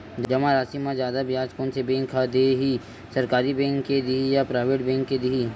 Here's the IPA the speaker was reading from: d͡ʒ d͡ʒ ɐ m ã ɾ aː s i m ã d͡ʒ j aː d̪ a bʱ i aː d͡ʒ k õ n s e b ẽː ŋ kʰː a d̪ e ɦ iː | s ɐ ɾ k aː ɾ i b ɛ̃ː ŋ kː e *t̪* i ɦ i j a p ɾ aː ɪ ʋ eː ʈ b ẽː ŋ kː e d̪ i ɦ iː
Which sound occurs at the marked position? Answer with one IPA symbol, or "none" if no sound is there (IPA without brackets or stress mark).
d̪